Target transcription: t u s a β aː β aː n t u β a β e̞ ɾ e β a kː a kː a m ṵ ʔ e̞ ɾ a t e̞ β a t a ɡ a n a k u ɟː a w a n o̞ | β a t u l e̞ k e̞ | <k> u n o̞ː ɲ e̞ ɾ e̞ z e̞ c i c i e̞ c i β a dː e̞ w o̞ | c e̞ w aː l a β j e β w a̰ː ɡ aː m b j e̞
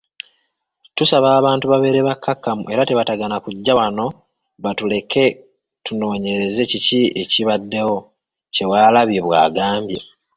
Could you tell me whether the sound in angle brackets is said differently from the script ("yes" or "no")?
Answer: yes